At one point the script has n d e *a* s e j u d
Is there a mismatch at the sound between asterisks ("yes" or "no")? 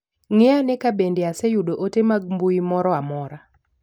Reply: no